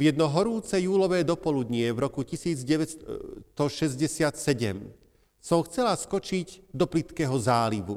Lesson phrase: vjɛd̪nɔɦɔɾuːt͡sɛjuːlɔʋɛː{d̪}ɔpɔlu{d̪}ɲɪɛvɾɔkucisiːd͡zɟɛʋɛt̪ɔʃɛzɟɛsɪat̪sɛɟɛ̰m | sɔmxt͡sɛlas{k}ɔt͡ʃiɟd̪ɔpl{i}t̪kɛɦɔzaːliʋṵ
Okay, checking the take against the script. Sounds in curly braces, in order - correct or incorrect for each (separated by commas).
correct, correct, correct, correct